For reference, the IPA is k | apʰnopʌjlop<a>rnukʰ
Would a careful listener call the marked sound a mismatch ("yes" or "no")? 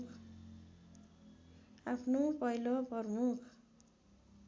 yes